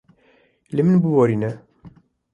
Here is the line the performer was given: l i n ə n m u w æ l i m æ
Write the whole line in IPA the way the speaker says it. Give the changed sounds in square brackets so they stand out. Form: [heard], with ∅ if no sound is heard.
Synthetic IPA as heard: l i [m] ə n [b] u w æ [ɾ] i [n] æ